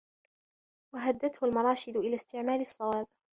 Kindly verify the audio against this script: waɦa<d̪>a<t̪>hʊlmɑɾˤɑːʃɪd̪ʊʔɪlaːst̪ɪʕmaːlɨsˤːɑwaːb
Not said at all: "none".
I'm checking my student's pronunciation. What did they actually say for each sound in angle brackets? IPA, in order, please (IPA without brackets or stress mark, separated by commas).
d̪ː, t̪